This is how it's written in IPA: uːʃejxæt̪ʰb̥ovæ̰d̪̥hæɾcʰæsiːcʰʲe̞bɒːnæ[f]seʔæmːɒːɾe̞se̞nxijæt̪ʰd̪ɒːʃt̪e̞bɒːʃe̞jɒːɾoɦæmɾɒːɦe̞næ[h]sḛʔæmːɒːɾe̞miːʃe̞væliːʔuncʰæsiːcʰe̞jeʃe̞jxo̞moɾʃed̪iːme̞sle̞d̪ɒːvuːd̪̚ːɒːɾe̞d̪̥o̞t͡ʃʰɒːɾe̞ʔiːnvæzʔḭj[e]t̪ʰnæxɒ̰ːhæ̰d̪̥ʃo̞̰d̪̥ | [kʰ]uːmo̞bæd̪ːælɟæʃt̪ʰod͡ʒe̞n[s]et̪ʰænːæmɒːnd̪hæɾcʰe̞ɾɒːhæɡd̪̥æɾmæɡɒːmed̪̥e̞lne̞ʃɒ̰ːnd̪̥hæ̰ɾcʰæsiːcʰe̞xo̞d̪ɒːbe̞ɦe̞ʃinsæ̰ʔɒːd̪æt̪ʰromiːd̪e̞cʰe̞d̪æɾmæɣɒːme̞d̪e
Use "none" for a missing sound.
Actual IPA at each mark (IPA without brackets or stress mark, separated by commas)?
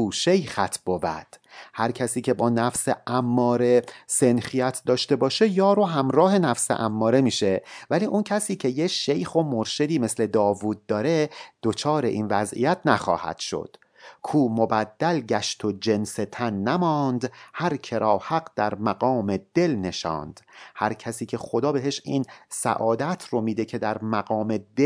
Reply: f, f, æ, kʰ, s